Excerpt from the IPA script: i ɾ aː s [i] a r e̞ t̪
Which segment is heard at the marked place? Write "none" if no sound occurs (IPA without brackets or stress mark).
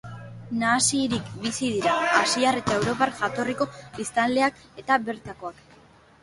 i